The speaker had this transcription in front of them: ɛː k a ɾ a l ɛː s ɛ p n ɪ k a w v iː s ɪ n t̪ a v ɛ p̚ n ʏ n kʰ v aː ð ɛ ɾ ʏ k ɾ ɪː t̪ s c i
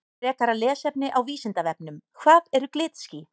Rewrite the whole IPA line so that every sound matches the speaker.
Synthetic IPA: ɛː k a ɾ a l ɛː s ɛ p n ɪ ʔ a w v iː s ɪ n t̪ a v ɛ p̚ n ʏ m kʰ v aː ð ɛ ɾ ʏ k l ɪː t̪ s c i